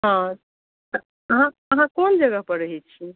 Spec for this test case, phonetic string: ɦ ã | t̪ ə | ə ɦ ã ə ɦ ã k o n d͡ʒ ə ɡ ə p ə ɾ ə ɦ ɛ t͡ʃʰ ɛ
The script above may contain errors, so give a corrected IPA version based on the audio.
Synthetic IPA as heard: ɦ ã | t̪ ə | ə ɦ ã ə ɦ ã k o n d͡ʒ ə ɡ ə p ə ɾ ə ɦ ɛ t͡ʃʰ i